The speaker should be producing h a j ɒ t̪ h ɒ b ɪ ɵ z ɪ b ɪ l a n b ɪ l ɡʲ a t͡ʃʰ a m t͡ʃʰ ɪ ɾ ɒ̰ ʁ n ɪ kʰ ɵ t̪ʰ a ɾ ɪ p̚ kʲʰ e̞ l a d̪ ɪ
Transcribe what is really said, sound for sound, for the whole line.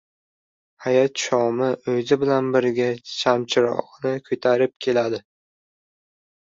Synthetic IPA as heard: h a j ɒ t̪ ʃ ɒ m ɪ ɵ z ɪ b ɪ l a n b ɪ ɾ ɡʲ a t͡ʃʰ a m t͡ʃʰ ɪ ɾ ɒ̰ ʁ n ɪ kʰ ɵ t̪ʰ a ɾ ɪ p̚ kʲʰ e̞ l a d̪ ɪ